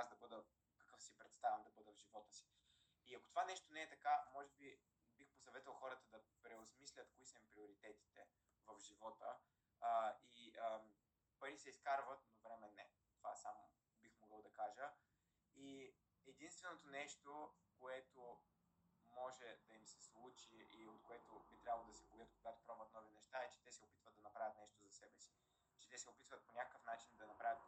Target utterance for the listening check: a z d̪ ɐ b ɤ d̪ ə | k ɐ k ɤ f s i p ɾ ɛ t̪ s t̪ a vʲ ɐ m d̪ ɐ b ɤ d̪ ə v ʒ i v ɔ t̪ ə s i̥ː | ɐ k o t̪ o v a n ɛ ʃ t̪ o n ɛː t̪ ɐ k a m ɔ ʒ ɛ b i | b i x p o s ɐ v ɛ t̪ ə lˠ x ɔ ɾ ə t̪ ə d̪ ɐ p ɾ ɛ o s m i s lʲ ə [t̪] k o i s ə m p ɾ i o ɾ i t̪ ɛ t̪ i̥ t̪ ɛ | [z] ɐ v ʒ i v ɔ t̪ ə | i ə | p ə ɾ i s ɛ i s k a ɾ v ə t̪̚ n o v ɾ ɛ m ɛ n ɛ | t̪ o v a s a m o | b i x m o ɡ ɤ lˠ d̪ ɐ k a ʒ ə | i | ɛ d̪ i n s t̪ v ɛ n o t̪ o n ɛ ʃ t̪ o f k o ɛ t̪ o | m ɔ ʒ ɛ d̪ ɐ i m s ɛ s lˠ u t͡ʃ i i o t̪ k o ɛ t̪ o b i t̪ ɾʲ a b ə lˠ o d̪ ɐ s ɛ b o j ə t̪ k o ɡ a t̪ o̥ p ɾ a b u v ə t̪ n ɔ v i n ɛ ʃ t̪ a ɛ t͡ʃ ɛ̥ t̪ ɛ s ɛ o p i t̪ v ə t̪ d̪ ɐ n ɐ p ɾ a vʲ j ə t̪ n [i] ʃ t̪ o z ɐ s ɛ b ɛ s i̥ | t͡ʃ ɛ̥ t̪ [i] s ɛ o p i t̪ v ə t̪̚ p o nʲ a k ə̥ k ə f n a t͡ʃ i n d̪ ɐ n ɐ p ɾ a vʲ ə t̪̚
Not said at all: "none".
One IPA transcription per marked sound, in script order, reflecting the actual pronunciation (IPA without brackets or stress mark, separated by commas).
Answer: t̪, v, ɛ, ɛ